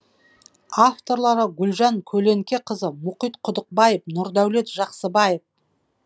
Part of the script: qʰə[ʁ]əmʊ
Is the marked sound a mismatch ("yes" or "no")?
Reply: yes